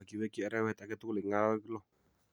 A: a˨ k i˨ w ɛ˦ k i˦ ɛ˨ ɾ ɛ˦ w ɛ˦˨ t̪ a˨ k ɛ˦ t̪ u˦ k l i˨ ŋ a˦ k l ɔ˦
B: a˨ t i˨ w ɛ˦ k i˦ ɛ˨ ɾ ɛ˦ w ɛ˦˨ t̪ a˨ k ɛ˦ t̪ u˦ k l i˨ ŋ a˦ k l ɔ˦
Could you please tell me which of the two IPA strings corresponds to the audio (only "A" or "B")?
A